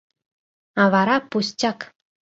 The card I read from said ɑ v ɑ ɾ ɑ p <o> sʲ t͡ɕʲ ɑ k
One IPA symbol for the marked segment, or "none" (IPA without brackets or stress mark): u